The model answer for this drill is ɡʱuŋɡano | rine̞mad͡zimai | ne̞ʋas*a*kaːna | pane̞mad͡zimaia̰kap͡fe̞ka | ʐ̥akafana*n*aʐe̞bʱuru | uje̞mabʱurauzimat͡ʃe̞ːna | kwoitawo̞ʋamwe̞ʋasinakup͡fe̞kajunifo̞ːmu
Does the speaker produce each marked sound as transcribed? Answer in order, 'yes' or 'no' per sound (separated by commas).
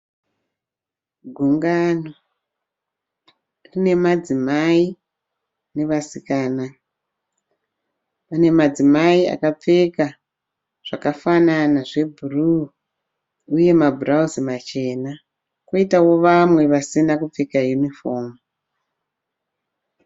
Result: no, yes